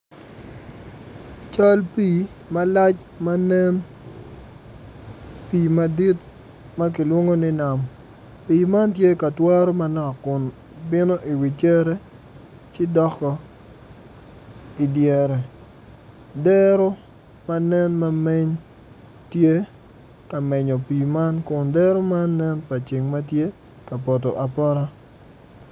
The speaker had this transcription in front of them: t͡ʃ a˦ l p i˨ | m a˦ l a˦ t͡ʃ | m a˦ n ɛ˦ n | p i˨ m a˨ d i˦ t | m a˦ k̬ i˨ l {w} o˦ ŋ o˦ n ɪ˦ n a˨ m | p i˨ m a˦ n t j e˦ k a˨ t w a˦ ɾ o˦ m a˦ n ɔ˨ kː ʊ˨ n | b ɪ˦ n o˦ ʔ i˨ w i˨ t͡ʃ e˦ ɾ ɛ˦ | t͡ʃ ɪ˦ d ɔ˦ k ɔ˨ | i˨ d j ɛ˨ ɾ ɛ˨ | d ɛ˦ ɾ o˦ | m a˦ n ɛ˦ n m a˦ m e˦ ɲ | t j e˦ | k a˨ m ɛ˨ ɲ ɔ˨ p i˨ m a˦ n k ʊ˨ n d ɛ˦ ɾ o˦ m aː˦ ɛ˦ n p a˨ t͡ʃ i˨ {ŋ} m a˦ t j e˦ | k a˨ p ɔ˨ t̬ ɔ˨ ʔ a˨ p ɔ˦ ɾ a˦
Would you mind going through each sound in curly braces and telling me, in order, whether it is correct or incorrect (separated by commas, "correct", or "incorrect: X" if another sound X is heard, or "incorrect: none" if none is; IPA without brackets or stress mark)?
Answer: correct, correct